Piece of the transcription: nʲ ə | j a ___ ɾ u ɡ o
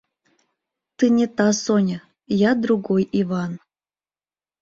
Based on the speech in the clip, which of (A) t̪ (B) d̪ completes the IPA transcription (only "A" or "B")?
B